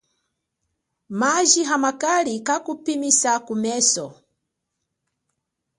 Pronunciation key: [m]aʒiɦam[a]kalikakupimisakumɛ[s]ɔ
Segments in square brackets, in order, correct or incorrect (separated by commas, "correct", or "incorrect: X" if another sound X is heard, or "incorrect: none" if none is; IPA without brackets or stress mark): correct, correct, correct